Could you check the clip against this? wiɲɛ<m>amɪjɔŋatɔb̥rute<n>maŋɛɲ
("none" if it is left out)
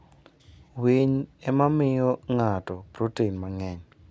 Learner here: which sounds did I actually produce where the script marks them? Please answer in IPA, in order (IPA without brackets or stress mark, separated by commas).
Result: m, n